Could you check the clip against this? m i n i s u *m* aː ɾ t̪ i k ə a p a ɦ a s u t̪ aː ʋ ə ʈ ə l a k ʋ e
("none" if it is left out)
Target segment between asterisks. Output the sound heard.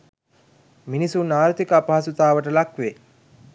n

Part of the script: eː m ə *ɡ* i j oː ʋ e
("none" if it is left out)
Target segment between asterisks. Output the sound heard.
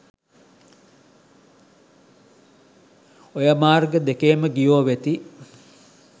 ɡ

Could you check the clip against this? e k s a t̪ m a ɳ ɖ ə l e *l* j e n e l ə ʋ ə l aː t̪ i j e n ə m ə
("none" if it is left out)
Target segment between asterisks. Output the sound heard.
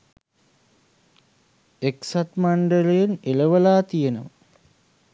none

